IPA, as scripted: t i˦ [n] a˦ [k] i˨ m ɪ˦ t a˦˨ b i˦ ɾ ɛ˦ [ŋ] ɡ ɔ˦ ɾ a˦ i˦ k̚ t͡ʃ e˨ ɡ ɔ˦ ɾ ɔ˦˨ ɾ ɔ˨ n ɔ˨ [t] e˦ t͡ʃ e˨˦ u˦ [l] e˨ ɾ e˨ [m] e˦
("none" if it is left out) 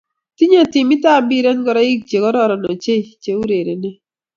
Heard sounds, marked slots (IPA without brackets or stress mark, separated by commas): ɲ, t, n, t͡ʃ, ɾ, n